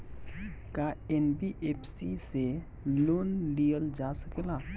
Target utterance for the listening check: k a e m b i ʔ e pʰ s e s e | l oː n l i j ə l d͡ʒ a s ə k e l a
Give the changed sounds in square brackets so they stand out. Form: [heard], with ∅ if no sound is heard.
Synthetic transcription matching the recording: k a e [n] b i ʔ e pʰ s [i] s e | l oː n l i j ə l d͡ʒ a s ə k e l a